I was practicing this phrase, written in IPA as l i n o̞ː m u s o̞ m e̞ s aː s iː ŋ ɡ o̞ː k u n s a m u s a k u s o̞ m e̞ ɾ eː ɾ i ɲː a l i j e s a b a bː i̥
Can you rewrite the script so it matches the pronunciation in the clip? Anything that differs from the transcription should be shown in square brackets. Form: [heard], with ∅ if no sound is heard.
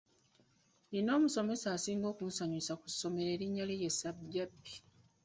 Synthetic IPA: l i n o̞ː m u s o̞ m e̞ s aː s iː ŋ ɡ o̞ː k u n s a [ɲ] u s a k u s o̞ m e̞ ɾ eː ɾ i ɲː a l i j e s a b a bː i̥